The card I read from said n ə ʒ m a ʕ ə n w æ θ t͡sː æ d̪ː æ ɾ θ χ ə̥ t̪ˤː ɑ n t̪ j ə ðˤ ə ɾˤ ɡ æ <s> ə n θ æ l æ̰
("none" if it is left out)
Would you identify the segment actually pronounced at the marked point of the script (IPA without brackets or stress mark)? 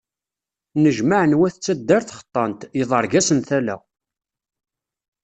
s